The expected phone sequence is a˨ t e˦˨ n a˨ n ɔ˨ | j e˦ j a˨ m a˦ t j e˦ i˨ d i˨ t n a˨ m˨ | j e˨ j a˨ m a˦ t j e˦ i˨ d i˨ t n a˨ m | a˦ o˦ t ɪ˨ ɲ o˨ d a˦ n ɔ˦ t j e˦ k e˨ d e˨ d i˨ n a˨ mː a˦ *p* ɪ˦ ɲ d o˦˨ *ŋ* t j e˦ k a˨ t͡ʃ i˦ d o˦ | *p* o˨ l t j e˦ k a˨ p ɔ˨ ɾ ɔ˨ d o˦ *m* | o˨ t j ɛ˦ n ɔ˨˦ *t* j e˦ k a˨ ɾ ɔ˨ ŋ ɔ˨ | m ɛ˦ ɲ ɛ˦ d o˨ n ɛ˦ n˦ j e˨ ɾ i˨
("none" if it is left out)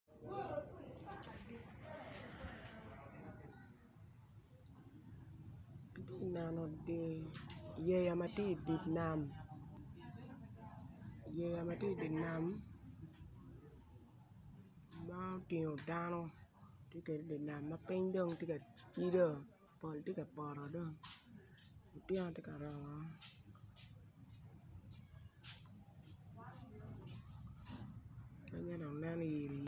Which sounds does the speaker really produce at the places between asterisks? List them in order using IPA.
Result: p, ŋ, p, ŋ, t

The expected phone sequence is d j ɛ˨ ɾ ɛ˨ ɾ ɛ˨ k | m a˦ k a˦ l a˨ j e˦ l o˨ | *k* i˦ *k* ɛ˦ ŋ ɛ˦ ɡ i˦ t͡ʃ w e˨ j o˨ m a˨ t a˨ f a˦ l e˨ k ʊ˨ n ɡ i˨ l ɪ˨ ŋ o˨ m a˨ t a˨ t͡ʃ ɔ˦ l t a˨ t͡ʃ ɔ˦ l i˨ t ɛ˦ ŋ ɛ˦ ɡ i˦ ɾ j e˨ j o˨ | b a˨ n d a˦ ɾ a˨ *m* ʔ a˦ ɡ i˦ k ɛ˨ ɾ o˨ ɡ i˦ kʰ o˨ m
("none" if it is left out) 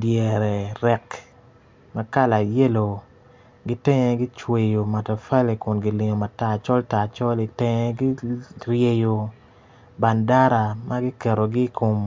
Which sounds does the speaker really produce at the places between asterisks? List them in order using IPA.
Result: ɡ, t, m

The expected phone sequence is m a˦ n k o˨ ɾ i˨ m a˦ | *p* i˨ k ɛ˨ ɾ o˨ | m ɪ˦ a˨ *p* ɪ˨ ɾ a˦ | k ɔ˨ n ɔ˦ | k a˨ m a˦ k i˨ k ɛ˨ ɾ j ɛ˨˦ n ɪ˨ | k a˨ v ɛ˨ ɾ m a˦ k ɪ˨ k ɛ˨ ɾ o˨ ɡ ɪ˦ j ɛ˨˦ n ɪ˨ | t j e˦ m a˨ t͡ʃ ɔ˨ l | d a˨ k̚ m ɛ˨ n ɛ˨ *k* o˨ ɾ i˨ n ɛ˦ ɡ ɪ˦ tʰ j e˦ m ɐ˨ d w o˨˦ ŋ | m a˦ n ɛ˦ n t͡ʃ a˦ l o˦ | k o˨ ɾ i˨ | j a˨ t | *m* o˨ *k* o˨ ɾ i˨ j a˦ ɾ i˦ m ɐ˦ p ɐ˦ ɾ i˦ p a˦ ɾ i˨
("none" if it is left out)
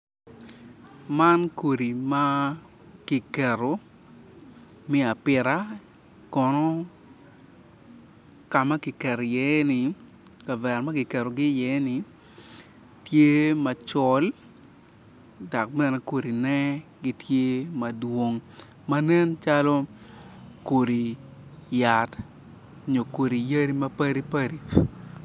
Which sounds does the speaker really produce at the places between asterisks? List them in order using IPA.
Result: k, p, k, ɲ, k

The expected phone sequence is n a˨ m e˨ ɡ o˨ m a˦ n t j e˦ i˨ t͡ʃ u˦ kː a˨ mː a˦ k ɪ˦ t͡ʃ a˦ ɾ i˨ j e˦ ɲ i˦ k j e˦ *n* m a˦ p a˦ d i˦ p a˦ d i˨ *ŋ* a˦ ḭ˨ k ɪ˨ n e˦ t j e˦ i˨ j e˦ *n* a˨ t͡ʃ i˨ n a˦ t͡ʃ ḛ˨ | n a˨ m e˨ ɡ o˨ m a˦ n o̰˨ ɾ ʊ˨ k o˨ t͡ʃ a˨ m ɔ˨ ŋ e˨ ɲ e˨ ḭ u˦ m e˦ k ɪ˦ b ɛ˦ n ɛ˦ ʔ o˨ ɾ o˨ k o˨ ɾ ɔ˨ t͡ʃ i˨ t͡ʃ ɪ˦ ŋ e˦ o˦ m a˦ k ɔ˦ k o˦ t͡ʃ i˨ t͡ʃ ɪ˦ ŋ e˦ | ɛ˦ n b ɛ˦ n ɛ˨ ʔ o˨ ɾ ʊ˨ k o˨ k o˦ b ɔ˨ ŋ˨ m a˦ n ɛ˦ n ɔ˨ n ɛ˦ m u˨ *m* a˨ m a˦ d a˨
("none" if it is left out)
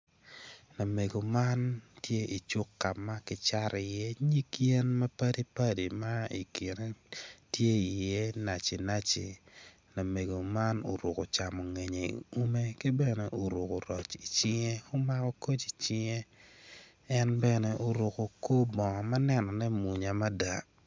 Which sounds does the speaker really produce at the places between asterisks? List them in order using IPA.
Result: n, m, n, ɲ

